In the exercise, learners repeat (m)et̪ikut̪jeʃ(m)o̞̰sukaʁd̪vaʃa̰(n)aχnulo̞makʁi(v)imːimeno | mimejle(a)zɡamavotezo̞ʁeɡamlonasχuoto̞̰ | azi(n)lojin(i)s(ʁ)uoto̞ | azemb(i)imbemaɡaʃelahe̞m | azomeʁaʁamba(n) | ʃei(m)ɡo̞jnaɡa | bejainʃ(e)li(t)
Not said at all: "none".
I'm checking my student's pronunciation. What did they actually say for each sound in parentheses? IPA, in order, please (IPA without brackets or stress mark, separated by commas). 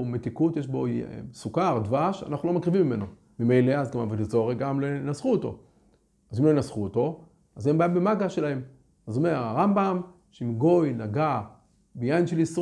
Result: m, b, n, v, a, m, a, χ, a, m, m, e, s